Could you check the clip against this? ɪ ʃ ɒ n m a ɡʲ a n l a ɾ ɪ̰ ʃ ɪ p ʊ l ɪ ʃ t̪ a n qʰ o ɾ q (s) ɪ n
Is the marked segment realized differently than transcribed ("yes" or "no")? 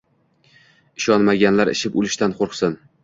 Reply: no